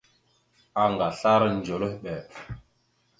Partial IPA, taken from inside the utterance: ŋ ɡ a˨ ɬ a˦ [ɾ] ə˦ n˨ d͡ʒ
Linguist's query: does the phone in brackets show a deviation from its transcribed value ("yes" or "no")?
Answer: no